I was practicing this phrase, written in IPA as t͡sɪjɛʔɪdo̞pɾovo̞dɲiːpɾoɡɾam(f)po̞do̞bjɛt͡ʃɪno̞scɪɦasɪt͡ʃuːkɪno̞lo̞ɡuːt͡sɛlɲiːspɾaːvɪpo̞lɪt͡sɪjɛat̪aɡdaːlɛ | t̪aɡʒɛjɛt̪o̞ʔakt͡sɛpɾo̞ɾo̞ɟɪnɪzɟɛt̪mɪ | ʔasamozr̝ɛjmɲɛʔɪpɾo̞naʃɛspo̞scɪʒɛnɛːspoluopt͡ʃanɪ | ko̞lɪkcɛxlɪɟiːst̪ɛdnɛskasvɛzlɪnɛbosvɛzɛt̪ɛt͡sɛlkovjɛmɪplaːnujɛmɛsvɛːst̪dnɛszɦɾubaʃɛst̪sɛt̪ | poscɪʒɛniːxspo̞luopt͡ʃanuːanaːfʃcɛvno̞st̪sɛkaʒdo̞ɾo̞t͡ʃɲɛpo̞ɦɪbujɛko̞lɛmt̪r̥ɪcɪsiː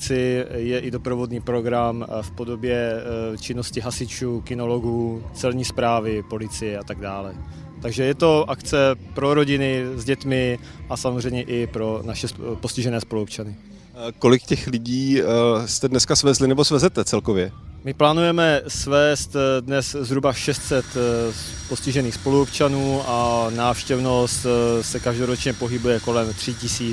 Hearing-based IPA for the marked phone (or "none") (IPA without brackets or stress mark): f